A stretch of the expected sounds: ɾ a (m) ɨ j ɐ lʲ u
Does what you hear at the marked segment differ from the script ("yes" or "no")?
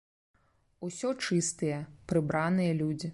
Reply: yes